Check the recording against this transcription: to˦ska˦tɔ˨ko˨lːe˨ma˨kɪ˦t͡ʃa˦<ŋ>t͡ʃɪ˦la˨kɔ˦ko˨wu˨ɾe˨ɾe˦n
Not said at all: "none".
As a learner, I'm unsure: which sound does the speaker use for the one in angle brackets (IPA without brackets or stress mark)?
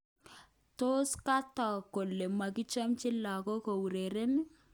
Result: m